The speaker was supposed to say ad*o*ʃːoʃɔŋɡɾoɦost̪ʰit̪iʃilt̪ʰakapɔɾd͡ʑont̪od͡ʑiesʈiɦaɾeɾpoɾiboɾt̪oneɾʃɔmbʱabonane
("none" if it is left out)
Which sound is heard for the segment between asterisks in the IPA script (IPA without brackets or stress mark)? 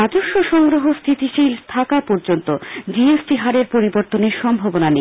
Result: o